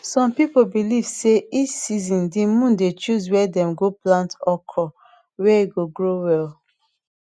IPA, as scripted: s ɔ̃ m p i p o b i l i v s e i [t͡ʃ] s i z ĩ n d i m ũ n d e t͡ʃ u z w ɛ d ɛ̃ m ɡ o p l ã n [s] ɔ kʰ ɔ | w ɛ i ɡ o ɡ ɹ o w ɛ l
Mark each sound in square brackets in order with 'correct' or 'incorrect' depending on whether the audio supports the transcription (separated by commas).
correct, incorrect